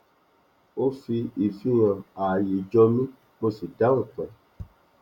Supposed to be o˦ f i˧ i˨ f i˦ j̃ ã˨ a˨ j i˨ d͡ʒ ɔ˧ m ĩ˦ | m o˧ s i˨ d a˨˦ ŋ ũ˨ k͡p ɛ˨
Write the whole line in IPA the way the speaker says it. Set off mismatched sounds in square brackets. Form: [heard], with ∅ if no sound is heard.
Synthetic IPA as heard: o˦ f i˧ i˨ f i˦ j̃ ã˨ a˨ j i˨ d͡ʒ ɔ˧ m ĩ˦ | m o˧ s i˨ d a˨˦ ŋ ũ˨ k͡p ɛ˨